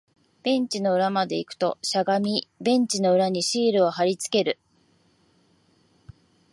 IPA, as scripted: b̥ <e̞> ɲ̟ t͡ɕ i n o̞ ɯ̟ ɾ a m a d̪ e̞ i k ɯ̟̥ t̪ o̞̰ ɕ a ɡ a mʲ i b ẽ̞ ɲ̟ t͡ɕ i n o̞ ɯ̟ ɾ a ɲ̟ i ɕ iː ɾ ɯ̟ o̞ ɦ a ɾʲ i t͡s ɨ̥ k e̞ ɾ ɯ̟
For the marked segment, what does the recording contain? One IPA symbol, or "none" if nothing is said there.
ẽ̞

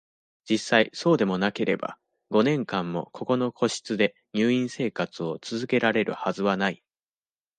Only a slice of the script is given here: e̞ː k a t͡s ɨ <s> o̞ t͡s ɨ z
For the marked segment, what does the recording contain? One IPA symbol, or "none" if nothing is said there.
none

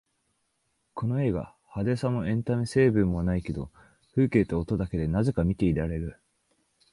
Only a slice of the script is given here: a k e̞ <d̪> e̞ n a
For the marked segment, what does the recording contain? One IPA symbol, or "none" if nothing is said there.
d̪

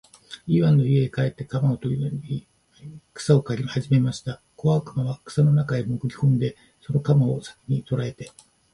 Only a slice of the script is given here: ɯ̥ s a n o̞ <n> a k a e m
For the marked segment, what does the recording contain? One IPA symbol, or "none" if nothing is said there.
n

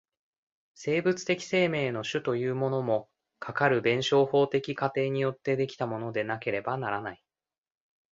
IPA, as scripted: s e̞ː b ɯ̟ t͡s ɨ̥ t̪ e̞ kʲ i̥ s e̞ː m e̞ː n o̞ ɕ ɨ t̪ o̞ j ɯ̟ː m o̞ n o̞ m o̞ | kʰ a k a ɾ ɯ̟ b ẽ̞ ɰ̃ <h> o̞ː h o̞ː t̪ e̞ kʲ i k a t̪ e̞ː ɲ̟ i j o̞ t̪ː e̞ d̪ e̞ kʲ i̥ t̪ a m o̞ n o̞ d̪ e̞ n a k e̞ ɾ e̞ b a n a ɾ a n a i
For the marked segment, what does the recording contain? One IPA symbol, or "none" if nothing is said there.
ɕ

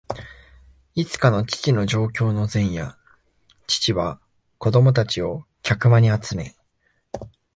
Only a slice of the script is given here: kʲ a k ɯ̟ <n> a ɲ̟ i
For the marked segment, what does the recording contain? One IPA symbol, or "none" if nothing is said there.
m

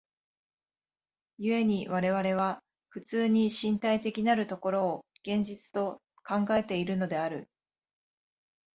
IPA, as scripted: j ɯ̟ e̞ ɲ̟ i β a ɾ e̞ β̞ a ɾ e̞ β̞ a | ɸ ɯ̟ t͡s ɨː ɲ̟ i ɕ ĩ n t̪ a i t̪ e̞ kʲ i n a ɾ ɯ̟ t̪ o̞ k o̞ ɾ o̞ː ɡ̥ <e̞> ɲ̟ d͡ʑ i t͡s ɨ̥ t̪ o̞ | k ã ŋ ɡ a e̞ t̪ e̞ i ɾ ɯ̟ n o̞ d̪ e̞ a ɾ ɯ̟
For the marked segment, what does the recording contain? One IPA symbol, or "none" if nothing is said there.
ẽ̞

